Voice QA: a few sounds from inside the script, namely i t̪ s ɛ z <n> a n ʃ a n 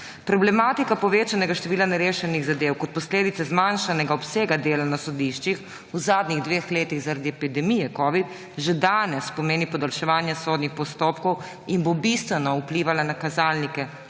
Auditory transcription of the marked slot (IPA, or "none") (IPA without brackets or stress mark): m